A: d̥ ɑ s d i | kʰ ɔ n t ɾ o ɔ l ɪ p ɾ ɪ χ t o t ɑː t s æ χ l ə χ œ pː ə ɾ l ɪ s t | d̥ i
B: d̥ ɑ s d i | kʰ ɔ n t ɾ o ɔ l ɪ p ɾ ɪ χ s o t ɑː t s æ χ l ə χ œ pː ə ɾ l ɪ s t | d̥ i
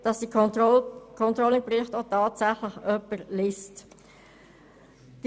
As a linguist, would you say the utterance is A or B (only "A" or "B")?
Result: A